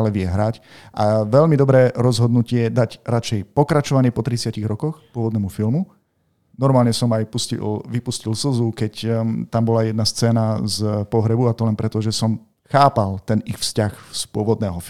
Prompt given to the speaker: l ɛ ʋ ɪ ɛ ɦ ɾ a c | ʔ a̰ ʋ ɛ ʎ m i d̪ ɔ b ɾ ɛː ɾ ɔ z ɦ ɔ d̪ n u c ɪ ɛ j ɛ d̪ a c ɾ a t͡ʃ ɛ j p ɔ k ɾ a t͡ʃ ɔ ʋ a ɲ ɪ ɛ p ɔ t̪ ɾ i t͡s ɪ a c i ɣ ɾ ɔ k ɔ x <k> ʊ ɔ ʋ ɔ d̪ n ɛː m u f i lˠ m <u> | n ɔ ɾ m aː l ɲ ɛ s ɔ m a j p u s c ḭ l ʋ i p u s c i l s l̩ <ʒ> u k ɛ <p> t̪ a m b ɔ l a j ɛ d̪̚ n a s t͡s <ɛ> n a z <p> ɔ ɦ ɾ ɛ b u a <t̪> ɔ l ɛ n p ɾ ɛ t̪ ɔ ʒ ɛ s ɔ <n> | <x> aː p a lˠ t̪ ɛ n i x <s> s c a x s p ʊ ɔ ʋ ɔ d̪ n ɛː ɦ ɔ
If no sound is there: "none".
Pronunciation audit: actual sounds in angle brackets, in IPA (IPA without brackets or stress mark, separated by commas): p, u, z, c, ɛː, p, t̪, m, x, f